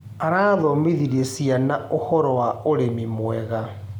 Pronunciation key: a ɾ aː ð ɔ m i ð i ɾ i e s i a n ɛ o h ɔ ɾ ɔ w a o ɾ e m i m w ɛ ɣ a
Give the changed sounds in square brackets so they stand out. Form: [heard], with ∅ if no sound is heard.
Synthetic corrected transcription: a ɾ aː ð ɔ m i ð i ɾ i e s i a n [a] o h ɔ ɾ ɔ w a o ɾ e m i m w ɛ ɣ a